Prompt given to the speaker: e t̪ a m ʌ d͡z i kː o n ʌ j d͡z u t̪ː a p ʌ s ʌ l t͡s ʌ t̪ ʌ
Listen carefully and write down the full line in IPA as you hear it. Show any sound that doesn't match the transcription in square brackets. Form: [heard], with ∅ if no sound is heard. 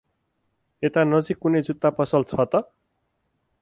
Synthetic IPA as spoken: e t̪ a [n] ʌ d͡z i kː [u] n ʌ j d͡z u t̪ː a p ʌ s ʌ l [t͡sʰ] ʌ t̪ ʌ